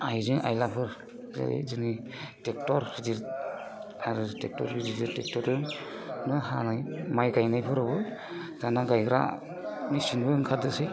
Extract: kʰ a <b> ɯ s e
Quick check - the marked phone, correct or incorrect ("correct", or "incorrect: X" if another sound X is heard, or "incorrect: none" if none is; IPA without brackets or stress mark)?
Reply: incorrect: d